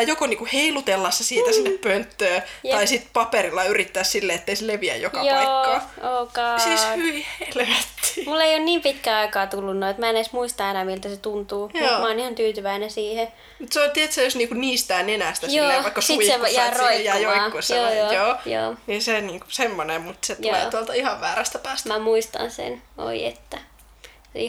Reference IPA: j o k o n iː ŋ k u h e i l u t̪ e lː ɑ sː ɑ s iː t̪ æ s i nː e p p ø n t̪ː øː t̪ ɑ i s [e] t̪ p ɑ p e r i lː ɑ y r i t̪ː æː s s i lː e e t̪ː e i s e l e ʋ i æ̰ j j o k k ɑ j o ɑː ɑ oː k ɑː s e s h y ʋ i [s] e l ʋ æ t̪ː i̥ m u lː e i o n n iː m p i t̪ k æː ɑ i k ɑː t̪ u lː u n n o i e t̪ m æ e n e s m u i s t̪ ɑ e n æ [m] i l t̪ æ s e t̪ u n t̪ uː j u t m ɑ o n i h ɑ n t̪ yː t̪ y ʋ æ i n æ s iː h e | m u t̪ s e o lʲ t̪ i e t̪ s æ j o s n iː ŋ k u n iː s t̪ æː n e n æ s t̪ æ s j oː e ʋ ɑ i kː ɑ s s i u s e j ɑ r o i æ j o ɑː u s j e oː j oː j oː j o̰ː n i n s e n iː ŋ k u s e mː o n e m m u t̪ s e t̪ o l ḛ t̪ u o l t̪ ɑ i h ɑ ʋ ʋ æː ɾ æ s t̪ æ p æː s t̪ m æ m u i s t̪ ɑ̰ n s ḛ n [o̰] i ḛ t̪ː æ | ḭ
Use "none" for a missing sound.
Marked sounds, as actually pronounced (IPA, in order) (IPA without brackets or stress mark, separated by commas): i, h, m, o̰